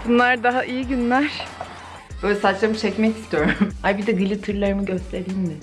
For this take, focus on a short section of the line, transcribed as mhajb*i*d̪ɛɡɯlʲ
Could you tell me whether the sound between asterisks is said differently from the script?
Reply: no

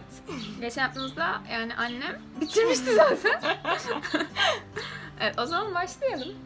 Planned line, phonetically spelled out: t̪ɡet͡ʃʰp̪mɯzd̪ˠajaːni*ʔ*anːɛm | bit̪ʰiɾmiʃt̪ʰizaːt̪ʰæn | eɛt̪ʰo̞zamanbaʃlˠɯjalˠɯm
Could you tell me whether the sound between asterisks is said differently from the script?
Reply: no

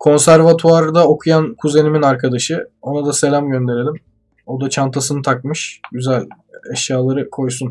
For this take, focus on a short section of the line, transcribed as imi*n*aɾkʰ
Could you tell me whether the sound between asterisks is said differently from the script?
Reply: no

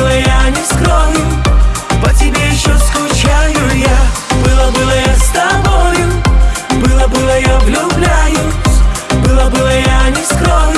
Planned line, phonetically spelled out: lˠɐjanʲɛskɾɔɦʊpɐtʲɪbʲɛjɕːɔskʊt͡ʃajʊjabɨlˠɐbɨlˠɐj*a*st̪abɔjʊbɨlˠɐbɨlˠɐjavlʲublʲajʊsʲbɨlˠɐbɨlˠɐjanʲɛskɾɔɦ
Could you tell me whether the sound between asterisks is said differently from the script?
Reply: no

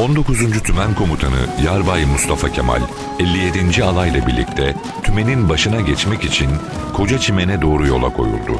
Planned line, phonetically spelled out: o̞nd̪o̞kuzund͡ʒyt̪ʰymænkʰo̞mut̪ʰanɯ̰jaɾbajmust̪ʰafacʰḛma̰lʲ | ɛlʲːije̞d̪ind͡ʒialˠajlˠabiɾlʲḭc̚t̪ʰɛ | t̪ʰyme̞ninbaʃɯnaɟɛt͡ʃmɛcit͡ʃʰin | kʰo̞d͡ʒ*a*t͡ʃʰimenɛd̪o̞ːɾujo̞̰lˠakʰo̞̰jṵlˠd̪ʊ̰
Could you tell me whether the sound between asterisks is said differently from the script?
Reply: no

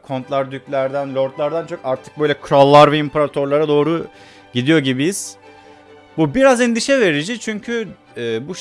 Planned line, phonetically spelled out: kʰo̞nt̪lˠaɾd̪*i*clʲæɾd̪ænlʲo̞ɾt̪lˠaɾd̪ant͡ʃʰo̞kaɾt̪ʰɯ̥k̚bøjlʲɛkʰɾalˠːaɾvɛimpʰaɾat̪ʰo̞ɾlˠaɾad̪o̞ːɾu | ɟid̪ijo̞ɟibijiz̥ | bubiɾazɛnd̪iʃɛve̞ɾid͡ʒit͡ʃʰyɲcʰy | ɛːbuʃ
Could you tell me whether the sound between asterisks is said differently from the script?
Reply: yes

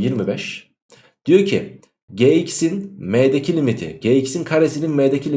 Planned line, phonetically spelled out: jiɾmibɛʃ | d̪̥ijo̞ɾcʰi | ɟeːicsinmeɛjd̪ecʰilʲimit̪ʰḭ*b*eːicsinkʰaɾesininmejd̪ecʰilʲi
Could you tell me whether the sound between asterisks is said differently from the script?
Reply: yes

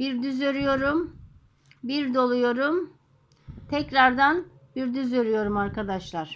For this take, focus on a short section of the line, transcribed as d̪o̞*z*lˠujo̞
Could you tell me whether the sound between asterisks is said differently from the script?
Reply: yes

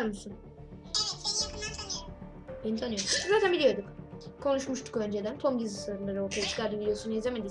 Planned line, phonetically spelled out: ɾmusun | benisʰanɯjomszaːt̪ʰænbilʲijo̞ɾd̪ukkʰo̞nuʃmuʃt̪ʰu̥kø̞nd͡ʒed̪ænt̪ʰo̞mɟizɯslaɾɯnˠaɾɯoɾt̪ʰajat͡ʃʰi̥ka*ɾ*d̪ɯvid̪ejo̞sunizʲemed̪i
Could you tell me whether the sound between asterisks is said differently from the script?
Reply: no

